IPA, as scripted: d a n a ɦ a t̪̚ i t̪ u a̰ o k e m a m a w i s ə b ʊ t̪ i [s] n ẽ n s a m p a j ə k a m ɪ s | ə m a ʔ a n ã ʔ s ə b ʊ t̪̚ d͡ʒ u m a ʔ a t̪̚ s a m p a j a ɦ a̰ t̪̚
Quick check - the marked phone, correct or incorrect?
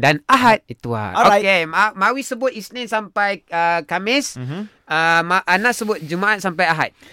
correct